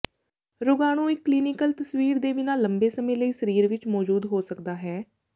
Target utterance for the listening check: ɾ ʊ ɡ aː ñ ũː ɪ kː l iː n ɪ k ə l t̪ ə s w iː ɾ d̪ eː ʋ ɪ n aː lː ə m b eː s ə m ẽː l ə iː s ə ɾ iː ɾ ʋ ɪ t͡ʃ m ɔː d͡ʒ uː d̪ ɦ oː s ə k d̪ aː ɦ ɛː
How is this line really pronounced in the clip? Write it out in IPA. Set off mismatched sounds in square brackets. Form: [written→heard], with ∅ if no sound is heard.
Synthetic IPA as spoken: ɾ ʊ ɡ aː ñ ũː ɪ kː l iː n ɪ k ə l t̪ ə s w iː ɾ d̪ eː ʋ ɪ n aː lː ə m b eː s ə m ẽː l ə iː s ə ɾ iː ɾ ʋ ɪ t͡ʃ m ɔː d͡ʒ uː d̪ ɦ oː s ə k d̪ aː ɦ ɛː